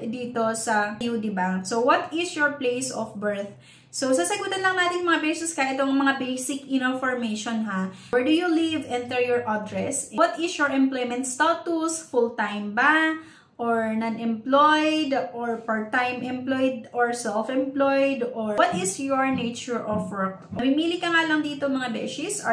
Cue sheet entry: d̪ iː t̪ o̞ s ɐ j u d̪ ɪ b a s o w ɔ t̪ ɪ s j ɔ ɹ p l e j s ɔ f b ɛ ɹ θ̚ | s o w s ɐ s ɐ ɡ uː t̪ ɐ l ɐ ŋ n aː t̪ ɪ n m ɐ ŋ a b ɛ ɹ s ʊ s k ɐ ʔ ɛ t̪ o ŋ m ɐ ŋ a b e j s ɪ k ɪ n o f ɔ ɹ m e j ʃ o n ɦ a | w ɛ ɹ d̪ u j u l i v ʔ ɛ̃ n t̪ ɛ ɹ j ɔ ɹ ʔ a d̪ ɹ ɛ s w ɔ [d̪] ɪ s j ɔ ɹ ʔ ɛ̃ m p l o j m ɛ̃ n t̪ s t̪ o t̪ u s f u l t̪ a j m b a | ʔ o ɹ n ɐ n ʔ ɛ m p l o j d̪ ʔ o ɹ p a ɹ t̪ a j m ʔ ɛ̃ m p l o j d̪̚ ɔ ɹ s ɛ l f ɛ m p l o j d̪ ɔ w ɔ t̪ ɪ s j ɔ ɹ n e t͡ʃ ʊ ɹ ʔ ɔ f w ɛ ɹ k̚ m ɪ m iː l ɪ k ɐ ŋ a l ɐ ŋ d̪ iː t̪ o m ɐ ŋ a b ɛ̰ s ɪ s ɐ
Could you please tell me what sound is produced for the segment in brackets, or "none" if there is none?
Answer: t̪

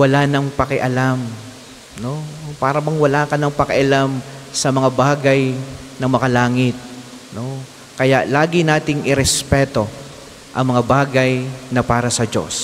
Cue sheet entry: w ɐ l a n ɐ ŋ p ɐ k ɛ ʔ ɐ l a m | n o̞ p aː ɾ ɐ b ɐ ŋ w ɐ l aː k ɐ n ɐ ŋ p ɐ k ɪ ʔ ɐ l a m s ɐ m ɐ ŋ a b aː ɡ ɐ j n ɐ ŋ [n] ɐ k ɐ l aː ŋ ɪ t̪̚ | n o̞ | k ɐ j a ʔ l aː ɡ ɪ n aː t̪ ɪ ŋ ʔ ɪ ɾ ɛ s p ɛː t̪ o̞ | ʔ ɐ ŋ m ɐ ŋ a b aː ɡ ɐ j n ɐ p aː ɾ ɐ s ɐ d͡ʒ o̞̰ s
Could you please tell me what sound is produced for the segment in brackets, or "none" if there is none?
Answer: m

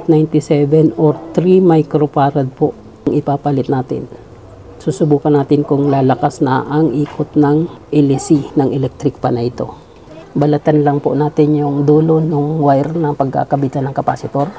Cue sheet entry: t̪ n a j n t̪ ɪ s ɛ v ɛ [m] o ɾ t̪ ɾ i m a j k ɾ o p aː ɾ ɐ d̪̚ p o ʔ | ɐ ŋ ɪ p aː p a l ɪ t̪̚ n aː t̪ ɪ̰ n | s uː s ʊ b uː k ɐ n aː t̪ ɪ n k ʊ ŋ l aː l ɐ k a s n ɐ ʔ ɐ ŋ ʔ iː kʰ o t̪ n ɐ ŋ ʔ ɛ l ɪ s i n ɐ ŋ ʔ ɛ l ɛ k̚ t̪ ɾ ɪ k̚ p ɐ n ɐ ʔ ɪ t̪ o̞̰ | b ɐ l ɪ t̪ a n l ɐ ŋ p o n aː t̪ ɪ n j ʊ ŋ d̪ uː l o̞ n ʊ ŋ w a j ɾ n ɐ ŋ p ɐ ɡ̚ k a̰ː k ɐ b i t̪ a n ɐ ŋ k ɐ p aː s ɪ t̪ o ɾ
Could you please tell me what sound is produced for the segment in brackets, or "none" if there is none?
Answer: n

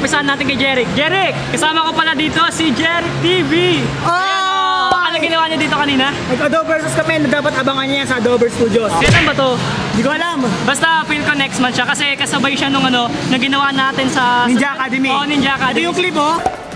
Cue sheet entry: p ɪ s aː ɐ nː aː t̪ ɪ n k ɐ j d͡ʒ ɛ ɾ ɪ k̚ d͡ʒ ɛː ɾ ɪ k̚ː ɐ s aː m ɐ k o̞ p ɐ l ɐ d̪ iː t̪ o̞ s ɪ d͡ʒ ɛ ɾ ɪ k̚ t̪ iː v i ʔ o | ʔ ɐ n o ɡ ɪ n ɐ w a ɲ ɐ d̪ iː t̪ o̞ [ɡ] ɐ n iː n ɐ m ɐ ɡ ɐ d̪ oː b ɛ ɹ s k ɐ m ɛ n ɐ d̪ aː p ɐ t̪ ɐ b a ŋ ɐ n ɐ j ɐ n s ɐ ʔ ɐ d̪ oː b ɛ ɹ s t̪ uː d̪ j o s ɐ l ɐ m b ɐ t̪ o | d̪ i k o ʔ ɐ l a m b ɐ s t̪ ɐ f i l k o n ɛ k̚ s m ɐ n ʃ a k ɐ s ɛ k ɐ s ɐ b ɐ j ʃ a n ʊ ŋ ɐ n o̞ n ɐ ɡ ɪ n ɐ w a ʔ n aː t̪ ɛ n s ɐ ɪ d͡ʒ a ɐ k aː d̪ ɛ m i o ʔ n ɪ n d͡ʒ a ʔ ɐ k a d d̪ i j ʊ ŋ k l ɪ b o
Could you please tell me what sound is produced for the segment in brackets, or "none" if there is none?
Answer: k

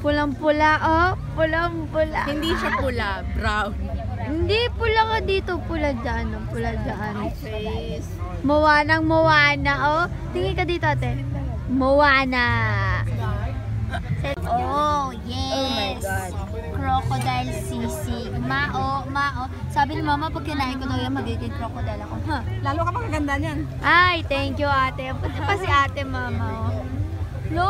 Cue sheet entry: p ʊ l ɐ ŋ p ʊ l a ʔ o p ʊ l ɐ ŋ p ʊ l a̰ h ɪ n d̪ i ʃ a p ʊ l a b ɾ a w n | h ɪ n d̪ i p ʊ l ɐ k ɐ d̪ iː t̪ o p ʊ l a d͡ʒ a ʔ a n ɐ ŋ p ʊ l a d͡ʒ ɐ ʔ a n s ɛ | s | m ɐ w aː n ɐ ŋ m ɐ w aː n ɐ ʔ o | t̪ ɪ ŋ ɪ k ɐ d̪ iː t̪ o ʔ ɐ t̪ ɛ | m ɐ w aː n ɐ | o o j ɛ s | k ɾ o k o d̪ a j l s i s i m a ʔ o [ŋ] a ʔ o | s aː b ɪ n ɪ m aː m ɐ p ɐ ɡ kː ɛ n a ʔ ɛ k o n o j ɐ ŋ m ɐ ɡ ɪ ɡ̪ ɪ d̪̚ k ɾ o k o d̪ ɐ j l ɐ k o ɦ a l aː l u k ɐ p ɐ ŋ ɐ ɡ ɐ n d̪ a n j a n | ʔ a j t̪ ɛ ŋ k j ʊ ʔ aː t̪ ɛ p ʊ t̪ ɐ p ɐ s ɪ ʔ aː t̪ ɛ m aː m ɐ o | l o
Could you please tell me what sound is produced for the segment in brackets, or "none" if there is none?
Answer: m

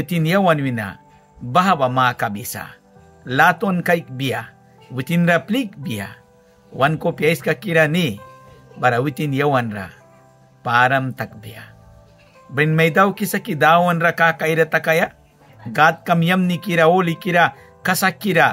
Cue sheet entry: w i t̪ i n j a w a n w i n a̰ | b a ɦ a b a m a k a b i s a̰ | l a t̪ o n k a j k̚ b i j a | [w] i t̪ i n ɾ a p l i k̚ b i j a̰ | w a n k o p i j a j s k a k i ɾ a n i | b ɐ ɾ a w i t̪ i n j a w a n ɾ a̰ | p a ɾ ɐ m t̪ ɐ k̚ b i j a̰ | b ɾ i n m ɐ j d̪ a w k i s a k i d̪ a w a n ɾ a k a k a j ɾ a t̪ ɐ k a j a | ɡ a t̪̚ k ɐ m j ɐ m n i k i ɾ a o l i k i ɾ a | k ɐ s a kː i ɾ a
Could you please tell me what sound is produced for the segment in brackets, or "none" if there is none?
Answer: w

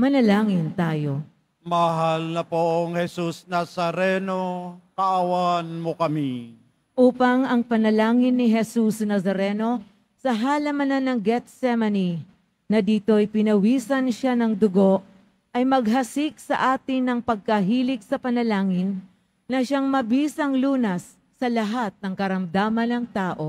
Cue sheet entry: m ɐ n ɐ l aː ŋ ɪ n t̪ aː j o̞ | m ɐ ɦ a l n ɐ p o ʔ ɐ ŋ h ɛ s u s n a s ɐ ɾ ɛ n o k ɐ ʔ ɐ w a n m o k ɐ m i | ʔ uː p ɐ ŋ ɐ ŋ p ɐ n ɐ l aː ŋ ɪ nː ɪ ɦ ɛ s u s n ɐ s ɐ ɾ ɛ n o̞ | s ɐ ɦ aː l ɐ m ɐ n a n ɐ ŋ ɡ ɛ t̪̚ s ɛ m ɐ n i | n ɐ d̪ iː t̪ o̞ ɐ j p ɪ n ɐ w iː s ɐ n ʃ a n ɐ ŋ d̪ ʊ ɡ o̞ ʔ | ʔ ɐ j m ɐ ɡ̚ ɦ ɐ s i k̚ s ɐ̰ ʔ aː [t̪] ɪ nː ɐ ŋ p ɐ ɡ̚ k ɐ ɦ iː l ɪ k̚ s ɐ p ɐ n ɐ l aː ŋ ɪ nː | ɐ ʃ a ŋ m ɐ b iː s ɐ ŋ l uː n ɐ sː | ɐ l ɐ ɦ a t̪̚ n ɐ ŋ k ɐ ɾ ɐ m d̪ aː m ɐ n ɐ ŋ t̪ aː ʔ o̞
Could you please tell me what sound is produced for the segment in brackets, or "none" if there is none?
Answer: t̪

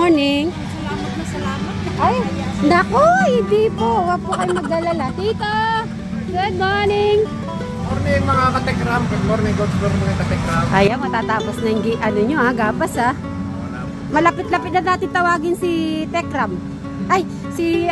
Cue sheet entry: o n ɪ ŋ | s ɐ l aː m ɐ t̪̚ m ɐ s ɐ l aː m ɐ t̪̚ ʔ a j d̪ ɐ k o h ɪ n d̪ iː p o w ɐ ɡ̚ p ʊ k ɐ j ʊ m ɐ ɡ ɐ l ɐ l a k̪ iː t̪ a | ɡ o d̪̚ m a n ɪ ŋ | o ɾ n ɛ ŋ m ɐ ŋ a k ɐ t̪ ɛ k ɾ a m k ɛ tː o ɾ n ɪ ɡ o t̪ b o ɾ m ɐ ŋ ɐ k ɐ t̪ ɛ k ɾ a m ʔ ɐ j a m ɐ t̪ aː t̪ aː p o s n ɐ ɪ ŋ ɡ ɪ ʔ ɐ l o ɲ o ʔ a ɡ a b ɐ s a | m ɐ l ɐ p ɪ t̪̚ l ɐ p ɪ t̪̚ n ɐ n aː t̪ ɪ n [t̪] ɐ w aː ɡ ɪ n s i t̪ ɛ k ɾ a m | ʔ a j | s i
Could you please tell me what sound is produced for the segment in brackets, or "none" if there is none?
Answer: t̪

